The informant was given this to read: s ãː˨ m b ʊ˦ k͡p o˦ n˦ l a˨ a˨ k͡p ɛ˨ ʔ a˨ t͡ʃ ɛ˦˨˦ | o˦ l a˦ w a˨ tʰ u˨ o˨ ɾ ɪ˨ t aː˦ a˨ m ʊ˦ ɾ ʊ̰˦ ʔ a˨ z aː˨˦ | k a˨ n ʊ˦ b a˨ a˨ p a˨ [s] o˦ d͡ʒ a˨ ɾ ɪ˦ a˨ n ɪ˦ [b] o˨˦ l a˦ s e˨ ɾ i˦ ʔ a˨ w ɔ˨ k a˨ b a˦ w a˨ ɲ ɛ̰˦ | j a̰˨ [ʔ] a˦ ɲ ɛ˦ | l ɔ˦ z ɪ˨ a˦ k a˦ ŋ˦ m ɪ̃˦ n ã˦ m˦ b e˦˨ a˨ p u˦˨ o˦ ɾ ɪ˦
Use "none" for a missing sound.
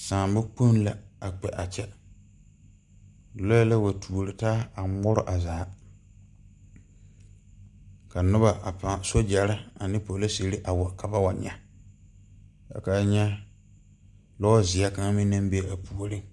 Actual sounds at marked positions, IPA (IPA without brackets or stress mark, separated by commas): s, p, k